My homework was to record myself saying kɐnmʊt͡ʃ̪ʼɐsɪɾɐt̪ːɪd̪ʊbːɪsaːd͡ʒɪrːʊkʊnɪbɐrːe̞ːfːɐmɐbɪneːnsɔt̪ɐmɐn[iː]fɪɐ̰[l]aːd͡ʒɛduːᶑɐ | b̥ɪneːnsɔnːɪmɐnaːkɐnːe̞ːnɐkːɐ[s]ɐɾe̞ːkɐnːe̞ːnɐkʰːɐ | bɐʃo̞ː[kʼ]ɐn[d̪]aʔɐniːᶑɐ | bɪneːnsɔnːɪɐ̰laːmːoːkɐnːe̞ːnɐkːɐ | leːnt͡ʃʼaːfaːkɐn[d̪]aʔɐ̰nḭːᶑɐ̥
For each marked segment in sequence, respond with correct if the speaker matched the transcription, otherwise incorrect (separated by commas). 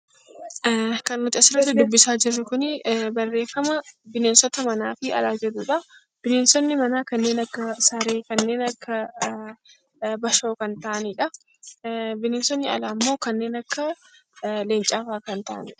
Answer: incorrect, correct, correct, incorrect, incorrect, incorrect